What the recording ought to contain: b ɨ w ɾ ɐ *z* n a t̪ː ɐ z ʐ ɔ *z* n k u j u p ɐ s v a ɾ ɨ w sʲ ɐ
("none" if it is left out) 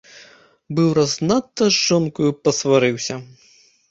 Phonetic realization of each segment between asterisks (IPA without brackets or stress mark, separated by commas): z, none